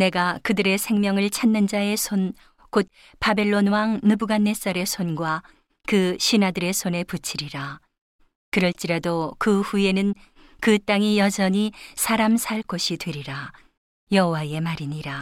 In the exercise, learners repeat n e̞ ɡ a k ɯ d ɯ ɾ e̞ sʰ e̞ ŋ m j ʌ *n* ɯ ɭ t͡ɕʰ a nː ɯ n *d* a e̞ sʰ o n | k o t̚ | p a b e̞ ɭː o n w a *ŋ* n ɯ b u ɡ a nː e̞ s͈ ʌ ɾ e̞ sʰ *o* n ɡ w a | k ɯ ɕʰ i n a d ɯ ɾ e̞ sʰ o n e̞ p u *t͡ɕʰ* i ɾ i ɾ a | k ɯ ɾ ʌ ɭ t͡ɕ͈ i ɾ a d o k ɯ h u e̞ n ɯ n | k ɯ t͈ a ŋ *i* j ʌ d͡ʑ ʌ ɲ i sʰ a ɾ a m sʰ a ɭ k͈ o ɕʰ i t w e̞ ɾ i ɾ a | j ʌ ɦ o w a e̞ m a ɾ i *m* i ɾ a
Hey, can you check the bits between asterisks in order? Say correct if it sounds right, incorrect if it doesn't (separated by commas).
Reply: incorrect, incorrect, correct, correct, correct, correct, incorrect